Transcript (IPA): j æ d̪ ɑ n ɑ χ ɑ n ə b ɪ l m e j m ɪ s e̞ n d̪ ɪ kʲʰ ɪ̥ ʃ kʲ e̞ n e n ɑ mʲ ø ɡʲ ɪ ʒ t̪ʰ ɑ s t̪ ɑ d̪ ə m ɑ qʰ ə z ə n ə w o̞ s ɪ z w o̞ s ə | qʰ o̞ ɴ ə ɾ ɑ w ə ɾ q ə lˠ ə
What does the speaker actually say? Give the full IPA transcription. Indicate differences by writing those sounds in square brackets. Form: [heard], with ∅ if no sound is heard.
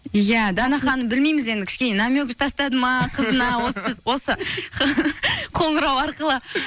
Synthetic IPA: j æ d̪ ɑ n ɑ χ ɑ n ə b ɪ l m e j m ɪ [z] e̞ n d̪ ɪ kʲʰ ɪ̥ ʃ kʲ e̞ n e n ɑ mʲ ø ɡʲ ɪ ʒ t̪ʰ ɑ s t̪ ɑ d̪ ə m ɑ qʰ ə z ə n [ɑ] w o̞ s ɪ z w o̞ s ə | qʰ o̞ ɴ ə ɾ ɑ w [ɑ] ɾ q ə lˠ ə